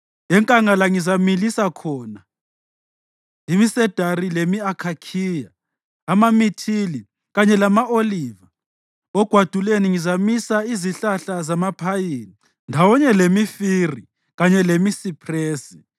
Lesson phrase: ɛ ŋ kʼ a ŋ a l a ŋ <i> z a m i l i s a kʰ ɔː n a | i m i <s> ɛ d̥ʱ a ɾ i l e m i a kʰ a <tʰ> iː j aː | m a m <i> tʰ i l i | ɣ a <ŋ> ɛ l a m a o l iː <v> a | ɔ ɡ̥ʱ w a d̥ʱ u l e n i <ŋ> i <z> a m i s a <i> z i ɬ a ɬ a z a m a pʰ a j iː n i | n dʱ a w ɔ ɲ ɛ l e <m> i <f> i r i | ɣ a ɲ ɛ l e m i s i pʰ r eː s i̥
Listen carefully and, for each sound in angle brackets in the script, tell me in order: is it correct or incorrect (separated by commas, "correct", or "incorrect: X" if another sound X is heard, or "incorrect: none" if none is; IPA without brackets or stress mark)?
correct, correct, incorrect: kʰ, correct, incorrect: ɲ, correct, correct, correct, correct, correct, correct